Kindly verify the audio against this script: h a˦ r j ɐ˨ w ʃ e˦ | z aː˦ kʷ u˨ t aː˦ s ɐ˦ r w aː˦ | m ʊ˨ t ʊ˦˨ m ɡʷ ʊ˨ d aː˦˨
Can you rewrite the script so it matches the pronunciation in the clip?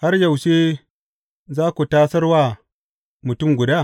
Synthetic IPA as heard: h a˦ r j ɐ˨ w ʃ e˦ | z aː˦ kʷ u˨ t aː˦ s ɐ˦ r w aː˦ | m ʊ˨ t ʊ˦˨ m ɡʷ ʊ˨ d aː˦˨